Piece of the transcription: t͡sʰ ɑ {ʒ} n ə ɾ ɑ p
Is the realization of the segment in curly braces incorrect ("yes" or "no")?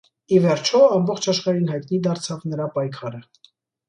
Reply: yes